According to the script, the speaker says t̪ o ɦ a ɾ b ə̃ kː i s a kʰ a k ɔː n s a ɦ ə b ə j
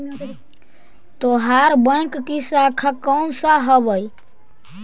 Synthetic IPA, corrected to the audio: t̪ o ɦ a ɾ b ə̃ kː i s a kʰ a k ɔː n s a ɦ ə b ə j